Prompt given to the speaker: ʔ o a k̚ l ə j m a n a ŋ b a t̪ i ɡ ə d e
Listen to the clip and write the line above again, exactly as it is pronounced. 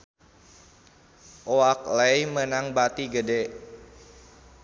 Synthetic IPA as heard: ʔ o a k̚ l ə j m ə n a ŋ b a t̪ i ɡ ə d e